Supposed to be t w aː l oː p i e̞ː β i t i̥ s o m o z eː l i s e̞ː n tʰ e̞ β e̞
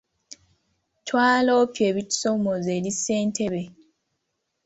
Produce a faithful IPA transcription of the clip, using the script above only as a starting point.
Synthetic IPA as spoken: t w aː l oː p j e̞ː β i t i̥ s o m o z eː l i s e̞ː n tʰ e̞ β e̞

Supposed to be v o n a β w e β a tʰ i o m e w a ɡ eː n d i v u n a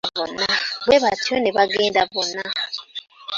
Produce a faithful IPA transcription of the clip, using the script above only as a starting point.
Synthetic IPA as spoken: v o n a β w e β a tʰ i o n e β a ɡ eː n d a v o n a

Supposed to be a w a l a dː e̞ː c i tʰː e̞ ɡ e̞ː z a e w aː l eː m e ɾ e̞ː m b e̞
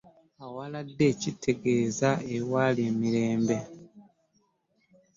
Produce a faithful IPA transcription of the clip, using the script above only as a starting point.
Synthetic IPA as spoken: a w a l a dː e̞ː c i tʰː e̞ ɡ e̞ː z a e w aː l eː m i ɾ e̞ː m b e̞

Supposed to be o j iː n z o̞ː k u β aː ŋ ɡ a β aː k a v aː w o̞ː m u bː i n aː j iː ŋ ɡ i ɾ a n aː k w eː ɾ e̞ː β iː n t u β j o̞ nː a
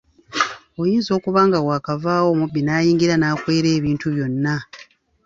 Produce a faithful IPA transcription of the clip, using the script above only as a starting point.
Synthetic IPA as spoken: o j iː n z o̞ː k u β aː ŋ ɡ a w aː k a v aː w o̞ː m u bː i n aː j iː ŋ ɡ i ɾ a n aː k w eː ɾ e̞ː β iː n t u β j o̞ nː a

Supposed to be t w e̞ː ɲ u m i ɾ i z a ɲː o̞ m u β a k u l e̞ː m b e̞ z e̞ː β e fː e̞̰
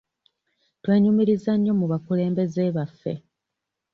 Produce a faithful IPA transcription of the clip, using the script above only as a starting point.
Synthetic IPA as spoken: t w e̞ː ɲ u m i ɾ i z a ɲː o̞ m u β a k u l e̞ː m b e̞ z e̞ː β a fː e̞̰

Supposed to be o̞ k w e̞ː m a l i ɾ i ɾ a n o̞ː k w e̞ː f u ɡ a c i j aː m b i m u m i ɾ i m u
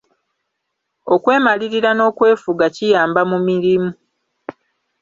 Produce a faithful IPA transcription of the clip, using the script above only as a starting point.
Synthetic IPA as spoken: o̞ k w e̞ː m a l i ɾ i ɾ a n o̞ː k w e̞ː f u ɡ a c i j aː m b a m u m i ɾ i m u

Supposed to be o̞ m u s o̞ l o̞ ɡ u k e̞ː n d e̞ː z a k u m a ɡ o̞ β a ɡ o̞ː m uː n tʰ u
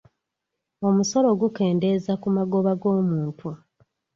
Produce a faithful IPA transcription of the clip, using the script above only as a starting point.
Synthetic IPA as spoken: o̞ m u s o̞ l o̞ ɡ u k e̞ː n d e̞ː z a k u m a ɡ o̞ β a ɡ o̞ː m uː n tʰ u

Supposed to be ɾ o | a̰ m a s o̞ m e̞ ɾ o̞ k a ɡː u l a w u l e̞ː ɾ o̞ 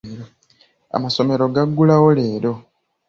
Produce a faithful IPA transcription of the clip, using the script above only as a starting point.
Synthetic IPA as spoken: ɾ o | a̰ m a s o̞ m e̞ ɾ o̞ ɡ a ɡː u l a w o l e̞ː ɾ o̞

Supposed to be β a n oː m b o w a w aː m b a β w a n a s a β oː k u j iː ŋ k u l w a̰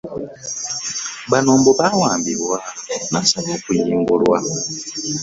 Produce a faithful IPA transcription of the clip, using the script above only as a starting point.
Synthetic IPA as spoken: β a n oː m b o β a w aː m b i β w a n a s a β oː k u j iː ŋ ɡ u l w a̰

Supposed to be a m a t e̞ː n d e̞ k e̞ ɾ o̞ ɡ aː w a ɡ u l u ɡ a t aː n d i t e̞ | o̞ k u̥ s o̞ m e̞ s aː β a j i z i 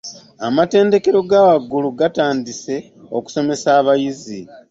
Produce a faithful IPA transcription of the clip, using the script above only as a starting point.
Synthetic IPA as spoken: a m a t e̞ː n d e̞ k e̞ ɾ o̞ ɡ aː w a ɡ u l u ɡ a t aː n d i s e̞ | o̞ k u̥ s o̞ m e̞ s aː β a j i z i

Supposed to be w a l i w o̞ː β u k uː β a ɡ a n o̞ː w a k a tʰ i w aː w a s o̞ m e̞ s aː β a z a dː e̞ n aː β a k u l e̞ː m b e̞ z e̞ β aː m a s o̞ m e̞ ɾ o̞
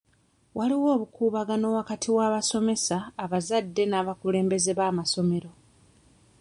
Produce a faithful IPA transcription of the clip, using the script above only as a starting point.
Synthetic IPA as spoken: w a l i w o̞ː β u k uː β a ɡ a n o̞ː w a k a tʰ i w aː β a s o̞ m e̞ s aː β a z a dː e̞ n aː β a k u l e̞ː m b e̞ z e̞ β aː m a s o̞ m e̞ ɾ o̞

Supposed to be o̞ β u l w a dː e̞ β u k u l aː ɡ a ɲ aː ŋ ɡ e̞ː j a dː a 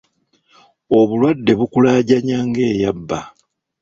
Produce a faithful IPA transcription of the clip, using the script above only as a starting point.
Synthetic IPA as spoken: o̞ β u l w a dː e̞ β u k u l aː ɟ a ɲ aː ŋ ɡ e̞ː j a bː a

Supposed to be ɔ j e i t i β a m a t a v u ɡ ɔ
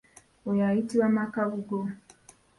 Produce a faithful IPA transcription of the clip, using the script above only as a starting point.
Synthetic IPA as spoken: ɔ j a i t i w a m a k a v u ɡ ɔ

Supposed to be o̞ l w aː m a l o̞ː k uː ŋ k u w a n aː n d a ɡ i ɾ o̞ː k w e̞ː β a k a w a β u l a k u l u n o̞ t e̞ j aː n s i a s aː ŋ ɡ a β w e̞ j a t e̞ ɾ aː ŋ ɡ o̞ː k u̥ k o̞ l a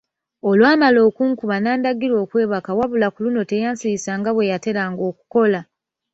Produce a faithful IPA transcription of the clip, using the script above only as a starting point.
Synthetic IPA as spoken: o̞ l w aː m a l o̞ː k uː ŋ k u β a n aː n d a ɡ i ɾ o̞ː k w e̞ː β a k a w a β u l a k u l u n o̞ t e̞ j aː n s i i s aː ŋ ɡ a β w e̞ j a t e̞ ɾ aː ŋ ɡ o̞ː k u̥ k o̞ l a

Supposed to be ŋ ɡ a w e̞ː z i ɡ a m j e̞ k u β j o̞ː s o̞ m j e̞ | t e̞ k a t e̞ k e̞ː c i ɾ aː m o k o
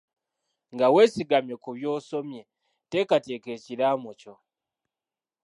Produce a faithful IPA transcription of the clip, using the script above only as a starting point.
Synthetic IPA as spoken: ŋ ɡ a w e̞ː s i ɡ a m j e̞ k u β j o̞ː s o̞ m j e̞ | t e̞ k a t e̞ k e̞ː c i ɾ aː m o c o

